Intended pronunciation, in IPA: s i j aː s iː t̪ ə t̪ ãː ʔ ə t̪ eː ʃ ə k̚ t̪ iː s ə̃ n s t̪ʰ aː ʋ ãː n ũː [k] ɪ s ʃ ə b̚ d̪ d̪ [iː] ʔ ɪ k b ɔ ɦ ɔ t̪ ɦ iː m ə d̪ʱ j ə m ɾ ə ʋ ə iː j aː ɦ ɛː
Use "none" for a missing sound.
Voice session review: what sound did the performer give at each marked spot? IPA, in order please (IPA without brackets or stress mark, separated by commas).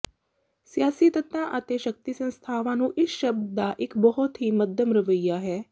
ʔ, aː